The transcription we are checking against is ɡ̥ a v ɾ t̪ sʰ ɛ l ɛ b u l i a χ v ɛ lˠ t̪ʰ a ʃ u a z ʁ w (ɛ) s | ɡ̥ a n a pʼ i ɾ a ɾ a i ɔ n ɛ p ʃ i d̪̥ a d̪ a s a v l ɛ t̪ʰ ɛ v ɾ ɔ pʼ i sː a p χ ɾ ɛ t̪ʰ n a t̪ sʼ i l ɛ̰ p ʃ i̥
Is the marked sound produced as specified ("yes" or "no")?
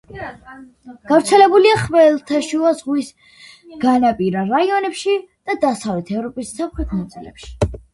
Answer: no